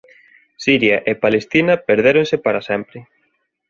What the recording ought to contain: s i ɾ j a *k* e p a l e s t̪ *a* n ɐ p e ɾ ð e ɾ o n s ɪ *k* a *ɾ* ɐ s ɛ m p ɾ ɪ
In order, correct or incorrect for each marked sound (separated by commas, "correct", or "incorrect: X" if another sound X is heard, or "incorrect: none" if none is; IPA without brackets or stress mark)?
incorrect: ʔ, incorrect: i, incorrect: p, correct